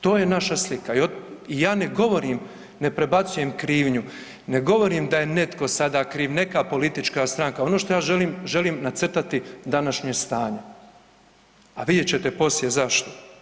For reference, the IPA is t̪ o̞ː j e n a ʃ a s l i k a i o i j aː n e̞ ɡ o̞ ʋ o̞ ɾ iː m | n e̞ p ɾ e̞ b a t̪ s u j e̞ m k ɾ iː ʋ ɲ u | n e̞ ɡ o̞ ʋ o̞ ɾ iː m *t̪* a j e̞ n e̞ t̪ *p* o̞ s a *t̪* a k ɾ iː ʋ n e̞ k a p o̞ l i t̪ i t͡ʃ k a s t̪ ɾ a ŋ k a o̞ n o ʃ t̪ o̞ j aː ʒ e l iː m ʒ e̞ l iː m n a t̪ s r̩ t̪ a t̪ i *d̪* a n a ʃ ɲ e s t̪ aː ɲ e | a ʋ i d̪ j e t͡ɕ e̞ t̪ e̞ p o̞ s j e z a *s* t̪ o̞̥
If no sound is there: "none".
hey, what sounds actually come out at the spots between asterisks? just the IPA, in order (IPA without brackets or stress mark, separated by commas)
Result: d̪, k, d̪, d̪, ʃ